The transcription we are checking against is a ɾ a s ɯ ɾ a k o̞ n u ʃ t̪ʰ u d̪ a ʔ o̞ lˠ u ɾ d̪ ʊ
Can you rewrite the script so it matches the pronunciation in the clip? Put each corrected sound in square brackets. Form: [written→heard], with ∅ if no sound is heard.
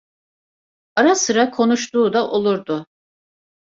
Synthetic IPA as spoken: a ɾ a s ɯ ɾ a [k→kʰ] o̞ n u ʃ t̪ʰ [u→uː] d̪ a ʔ o̞ lˠ u ɾ d̪ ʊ